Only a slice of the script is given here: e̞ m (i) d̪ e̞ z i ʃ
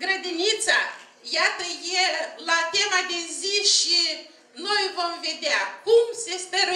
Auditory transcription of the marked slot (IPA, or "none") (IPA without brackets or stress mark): a